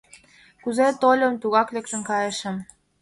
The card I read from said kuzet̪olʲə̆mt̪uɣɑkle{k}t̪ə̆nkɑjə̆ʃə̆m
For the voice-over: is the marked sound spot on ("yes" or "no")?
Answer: yes